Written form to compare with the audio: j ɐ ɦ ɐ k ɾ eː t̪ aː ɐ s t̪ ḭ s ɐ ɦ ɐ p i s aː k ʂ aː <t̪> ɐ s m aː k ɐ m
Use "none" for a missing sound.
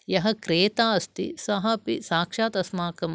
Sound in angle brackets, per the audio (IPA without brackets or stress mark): t̪